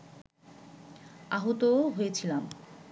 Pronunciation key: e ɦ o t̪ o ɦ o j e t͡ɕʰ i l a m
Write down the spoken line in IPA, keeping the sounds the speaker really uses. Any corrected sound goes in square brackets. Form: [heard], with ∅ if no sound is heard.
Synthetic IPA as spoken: [a] ɦ o t̪ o ɦ o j e t͡ɕʰ i l a m